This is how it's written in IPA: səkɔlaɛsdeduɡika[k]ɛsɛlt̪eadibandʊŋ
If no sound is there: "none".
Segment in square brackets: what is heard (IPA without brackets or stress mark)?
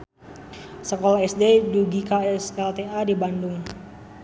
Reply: none